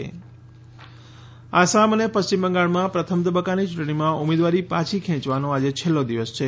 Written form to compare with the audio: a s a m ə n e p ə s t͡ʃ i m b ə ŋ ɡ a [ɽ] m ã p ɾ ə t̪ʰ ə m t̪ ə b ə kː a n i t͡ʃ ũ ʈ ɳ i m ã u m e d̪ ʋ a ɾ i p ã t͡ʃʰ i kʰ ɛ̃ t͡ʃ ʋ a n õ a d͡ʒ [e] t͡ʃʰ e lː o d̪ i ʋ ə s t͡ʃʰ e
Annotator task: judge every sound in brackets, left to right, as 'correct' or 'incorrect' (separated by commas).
incorrect, correct